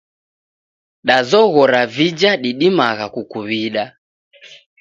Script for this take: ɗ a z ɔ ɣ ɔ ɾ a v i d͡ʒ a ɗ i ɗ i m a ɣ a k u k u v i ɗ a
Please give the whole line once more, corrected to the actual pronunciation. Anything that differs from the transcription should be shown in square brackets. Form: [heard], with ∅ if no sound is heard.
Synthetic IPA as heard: ɗ a z ɔ ɣ ɔ ɾ a v i d͡ʒ a ɗ i ɗ i m a ɣ a k u k u [β] i ɗ a